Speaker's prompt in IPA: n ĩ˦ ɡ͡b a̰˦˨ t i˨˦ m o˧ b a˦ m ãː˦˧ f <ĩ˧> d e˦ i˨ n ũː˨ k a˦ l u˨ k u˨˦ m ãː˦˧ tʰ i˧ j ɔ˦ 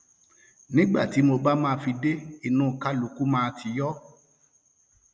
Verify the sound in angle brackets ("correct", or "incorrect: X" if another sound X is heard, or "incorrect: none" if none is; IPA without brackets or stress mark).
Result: incorrect: i˧